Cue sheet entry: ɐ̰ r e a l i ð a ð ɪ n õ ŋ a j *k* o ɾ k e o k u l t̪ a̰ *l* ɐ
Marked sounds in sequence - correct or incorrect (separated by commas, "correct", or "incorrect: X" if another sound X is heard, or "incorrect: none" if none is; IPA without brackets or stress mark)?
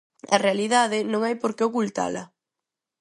incorrect: p, correct